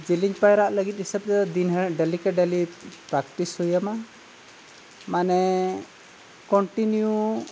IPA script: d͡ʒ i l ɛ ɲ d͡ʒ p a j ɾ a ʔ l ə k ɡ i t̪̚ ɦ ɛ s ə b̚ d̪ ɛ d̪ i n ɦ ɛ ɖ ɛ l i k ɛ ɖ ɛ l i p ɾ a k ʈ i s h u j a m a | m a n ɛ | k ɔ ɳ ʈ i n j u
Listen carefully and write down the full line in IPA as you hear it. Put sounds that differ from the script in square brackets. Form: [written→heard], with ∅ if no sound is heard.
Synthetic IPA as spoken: d͡ʒ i l [ɛ→i] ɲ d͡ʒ p a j ɾ a ʔ l ə [k→∅] ɡ i t̪̚ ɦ [ɛ→i] s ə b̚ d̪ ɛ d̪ i n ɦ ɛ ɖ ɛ l i k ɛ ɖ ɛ l i p ɾ a k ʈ i s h u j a m a | m a n ɛ | k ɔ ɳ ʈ i n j u